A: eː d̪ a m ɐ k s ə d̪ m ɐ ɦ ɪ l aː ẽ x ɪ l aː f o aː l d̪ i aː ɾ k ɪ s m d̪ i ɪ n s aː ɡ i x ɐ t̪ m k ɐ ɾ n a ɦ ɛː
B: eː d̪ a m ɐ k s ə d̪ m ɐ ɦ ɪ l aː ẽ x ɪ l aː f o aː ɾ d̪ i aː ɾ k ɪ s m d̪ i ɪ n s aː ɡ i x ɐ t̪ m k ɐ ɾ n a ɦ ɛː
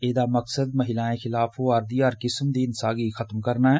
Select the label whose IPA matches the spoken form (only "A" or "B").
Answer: B